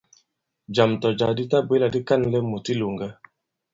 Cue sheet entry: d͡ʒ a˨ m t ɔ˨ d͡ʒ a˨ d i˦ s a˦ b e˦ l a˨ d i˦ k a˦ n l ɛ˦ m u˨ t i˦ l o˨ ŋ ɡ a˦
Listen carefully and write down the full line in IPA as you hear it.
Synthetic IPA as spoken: d͡ʒ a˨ m t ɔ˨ d͡ʒ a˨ d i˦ t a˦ b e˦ l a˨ d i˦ k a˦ n l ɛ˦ m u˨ t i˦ l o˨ ŋ ɡ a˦